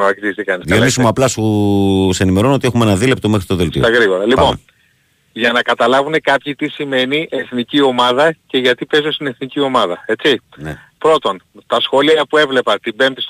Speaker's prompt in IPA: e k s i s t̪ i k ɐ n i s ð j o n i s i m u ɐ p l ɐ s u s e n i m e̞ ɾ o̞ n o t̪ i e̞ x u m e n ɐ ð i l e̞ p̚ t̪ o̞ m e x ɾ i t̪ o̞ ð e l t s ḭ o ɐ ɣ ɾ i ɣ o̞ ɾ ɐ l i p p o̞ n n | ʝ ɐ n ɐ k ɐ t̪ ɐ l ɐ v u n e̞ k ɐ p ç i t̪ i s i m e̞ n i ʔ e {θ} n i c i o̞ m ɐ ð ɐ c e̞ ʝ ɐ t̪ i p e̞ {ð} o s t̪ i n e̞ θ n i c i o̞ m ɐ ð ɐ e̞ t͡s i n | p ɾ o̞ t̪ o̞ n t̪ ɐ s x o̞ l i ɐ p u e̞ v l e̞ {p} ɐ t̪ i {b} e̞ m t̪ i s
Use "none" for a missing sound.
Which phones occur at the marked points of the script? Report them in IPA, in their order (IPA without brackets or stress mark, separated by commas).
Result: θ, z, p, b